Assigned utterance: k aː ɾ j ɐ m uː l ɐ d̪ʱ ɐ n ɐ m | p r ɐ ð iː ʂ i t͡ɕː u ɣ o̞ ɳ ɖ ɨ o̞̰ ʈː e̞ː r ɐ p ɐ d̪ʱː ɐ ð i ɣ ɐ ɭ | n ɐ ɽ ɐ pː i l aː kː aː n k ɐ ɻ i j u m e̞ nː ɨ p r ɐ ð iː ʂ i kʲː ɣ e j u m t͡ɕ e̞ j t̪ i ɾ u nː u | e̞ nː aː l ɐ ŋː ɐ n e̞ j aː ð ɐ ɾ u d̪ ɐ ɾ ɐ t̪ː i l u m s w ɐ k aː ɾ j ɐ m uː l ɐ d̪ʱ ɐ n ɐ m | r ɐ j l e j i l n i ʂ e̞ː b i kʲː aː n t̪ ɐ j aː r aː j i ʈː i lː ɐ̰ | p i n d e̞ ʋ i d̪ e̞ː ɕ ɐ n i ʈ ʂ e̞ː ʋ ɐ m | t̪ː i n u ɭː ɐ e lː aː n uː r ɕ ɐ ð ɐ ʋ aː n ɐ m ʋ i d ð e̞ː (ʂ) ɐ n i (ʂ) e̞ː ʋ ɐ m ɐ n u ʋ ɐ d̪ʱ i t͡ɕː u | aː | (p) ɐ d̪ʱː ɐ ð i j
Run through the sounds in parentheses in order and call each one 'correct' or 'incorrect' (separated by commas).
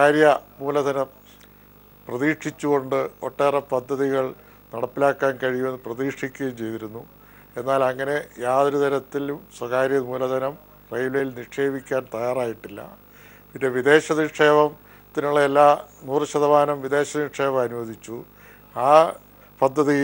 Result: incorrect, correct, correct